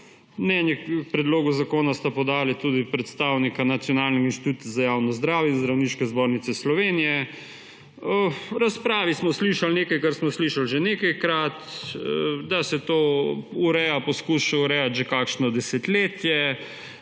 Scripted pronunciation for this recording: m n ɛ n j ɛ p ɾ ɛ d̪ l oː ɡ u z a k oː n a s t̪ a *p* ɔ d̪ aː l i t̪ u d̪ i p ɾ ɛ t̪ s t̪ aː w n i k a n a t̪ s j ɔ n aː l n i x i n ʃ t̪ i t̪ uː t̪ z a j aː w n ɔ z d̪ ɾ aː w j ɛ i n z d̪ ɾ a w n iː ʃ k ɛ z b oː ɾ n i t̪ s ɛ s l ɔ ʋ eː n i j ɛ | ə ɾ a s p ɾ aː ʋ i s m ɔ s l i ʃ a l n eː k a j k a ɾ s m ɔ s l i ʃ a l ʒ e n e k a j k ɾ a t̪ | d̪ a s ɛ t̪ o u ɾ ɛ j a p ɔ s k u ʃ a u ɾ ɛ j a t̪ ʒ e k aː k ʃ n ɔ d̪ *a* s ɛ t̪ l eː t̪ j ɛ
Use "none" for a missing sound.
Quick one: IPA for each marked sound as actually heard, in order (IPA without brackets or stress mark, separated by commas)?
p, ɛ